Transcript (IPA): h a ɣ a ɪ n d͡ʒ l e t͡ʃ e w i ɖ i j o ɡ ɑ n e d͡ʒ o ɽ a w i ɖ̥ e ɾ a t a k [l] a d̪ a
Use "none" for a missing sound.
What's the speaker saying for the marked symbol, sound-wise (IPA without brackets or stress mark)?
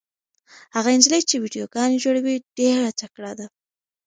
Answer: ɽ